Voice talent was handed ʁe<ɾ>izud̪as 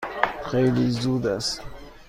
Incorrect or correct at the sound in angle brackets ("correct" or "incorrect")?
incorrect